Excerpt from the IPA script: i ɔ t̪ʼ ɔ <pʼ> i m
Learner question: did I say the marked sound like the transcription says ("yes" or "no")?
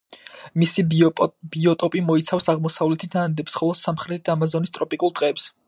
yes